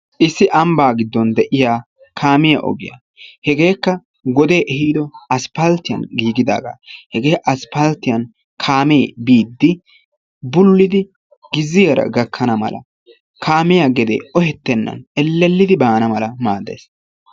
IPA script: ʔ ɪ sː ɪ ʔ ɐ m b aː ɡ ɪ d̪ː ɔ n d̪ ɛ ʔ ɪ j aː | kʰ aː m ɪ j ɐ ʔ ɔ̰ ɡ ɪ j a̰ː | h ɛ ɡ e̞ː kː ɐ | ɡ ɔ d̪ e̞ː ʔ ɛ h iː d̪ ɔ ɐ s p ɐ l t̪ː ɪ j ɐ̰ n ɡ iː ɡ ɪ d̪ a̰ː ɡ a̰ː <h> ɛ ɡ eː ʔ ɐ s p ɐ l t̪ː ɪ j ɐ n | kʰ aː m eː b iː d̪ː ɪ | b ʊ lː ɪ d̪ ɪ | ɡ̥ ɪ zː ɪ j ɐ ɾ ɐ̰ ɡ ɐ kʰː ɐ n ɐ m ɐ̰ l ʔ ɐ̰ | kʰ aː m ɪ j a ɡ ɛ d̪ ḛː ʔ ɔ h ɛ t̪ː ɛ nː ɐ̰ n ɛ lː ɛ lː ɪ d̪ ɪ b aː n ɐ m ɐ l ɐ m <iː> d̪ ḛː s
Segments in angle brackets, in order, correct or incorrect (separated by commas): correct, incorrect